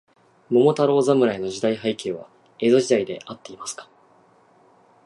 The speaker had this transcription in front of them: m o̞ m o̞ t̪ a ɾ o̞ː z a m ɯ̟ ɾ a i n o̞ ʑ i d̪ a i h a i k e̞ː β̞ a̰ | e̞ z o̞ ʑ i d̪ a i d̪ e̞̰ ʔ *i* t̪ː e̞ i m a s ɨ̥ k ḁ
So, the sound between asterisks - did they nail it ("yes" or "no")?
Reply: no